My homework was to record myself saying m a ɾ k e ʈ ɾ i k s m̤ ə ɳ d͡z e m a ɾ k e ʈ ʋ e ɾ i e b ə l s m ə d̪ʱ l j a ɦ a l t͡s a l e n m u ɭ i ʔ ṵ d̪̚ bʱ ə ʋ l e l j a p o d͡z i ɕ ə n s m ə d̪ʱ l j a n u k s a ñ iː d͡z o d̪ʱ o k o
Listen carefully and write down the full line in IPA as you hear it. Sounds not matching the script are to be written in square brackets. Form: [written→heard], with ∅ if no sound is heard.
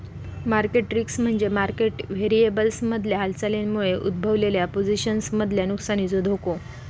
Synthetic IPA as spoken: m a ɾ k e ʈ ɾ i k s m̤ ə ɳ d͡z e m a ɾ k e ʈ ʋ e ɾ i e b ə l s m ə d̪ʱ l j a ɦ a l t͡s a l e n m u ɭ [i→e] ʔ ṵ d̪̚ bʱ ə ʋ l e l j a p o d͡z i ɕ ə n s m ə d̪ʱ l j a n u k s a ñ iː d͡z o d̪ʱ o k o